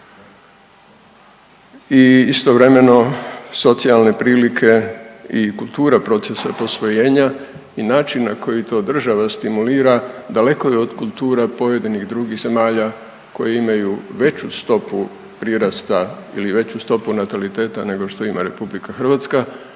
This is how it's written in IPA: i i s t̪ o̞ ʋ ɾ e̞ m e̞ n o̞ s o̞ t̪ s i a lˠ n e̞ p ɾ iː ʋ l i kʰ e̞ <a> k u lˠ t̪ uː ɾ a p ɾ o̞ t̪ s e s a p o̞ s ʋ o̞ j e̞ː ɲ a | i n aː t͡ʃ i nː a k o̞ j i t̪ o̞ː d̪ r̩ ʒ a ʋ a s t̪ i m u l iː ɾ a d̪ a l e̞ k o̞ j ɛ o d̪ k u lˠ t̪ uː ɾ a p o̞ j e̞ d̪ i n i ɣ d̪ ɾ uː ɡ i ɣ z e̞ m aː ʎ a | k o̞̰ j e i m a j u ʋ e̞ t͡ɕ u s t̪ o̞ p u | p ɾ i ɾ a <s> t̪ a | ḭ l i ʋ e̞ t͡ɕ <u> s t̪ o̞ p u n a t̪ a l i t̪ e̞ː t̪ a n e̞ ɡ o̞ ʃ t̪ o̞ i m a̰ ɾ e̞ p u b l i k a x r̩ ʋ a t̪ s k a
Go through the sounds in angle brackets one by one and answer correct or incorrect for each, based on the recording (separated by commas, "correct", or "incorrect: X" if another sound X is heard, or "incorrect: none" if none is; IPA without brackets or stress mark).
incorrect: i, correct, correct